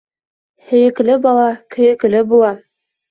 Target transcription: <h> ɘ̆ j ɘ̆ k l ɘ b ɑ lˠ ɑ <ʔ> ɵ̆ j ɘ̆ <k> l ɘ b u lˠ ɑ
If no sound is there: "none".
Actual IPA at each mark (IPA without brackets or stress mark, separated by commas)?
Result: h, k, k